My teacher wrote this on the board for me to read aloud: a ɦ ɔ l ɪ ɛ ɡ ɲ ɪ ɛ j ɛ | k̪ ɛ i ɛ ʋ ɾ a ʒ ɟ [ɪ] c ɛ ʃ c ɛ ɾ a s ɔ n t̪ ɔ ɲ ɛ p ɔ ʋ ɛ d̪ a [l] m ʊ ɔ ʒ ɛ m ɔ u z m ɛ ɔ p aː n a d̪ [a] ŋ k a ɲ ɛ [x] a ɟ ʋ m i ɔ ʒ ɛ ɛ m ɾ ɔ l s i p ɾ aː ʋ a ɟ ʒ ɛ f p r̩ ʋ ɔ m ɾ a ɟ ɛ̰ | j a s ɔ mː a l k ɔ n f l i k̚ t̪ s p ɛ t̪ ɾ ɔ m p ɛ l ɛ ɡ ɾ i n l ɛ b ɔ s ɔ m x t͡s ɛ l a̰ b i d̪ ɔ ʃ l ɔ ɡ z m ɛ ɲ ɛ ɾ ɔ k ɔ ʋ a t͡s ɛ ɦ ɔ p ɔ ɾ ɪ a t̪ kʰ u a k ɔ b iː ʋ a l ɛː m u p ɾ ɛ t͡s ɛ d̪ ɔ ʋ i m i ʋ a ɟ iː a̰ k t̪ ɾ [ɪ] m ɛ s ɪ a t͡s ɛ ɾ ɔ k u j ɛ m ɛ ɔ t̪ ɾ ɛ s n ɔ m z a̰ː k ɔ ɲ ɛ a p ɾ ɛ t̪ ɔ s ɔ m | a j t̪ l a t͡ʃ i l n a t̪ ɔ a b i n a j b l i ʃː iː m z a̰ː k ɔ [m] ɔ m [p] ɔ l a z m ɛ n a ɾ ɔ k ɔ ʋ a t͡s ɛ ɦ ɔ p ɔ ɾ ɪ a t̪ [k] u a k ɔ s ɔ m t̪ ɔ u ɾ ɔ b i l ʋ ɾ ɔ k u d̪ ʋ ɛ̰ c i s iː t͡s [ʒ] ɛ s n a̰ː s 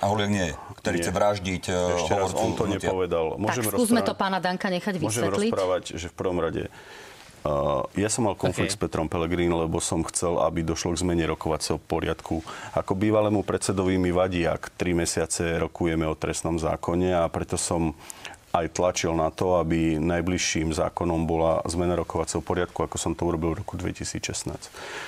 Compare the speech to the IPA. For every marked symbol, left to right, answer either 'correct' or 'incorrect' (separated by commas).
incorrect, correct, correct, correct, incorrect, incorrect, incorrect, correct, incorrect